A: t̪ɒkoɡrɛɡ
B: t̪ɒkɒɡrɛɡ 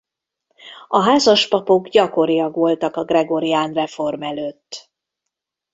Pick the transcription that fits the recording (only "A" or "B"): B